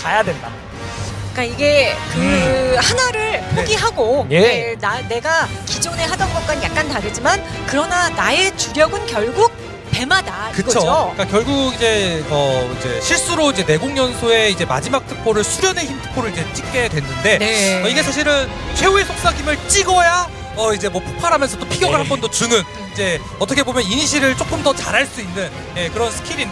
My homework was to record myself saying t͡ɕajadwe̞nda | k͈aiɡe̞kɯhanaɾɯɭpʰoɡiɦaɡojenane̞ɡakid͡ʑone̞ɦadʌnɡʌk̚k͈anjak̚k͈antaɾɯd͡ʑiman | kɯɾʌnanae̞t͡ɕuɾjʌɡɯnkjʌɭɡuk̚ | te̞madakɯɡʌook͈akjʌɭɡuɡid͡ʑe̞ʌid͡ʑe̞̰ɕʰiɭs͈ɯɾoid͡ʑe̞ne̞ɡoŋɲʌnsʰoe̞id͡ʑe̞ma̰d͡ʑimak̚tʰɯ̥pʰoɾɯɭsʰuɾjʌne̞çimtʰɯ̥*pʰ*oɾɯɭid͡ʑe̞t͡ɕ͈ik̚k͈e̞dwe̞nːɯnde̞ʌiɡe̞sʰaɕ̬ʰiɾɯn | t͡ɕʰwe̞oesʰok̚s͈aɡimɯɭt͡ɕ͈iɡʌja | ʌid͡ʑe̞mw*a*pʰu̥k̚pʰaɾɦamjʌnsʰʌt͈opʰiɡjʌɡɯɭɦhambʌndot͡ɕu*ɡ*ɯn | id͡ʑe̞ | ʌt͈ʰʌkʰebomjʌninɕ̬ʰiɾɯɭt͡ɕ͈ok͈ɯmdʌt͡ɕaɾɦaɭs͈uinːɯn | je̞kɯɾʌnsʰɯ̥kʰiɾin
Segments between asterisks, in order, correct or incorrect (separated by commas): correct, incorrect, incorrect